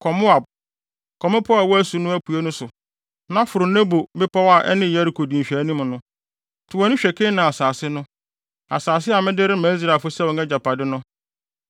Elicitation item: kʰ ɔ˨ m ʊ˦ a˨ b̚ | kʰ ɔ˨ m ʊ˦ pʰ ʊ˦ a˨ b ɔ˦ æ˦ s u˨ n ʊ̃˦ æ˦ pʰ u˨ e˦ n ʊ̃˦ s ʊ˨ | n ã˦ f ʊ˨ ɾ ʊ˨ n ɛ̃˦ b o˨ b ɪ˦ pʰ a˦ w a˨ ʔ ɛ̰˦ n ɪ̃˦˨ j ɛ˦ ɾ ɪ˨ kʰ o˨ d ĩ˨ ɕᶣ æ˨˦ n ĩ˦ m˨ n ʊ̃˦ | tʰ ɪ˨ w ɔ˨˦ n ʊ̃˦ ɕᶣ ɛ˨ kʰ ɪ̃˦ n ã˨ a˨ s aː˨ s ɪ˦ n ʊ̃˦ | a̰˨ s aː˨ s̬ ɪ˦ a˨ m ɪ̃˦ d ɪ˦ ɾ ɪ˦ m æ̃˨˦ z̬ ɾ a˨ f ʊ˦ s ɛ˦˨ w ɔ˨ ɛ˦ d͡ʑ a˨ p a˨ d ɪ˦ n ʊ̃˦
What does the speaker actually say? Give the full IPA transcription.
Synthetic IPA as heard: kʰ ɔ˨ m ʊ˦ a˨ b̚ | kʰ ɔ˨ m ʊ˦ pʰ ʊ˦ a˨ w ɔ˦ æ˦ s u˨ n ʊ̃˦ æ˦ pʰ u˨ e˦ n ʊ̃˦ s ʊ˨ | n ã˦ f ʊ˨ ɾ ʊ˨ n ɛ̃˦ b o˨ b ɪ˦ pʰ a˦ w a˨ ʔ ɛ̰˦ n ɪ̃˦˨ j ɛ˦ ɾ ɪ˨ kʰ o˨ d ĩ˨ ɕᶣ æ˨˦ n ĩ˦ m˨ n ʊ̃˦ | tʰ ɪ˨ w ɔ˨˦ n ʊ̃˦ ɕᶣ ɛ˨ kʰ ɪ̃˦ n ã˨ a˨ s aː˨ s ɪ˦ n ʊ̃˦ | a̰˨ s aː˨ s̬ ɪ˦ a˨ m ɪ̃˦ d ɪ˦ ɾ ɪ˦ m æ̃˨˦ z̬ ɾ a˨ f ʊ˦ s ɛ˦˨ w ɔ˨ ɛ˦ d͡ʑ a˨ p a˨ d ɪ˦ n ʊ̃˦